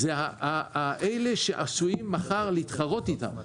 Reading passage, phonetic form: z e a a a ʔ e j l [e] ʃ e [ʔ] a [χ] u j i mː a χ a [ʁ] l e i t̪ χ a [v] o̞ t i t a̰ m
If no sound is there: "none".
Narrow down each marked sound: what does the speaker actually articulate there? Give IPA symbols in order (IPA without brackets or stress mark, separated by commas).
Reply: e, ʔ, s, ʁ, ʁ